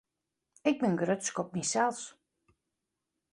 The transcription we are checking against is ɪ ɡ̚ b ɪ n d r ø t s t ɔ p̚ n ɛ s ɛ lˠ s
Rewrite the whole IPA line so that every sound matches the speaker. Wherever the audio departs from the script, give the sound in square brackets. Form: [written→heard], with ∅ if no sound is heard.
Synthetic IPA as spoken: ɪ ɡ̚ b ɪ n [d→ɡ] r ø t s [t→k] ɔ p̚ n [ɛ→i] s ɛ lˠ s